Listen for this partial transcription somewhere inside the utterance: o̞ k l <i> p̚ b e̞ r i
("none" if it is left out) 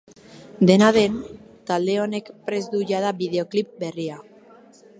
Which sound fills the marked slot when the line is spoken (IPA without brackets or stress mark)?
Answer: i